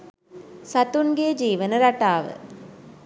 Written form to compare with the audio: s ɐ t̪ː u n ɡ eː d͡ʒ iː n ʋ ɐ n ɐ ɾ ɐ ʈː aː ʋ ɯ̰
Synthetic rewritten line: s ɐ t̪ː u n ɡ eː d͡ʒ iː ʋ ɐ n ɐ ɾ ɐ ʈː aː ʋ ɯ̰